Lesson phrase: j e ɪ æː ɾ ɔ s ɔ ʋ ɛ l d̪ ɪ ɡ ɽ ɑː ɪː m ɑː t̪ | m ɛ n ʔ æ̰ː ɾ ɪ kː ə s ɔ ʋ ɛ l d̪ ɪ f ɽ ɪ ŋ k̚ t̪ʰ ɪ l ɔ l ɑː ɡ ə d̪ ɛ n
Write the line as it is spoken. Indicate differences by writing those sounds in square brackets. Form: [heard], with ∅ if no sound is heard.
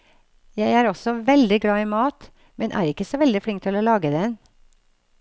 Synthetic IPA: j [æ] ɪ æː ɾ ɔ s ɔ ʋ ɛ l d̪ ɪ ɡ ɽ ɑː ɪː m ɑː t̪ | m ɛ n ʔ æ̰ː ɾ ɪ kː ə s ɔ ʋ ɛ l d̪ ɪ f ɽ ɪ ŋ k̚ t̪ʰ ɪ l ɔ l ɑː ɡ ə d̪ ɛ n